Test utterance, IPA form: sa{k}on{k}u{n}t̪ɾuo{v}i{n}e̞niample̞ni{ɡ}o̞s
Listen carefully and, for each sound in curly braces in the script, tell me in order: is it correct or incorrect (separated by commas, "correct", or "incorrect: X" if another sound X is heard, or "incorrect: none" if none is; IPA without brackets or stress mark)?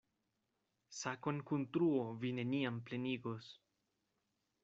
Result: correct, correct, correct, correct, correct, correct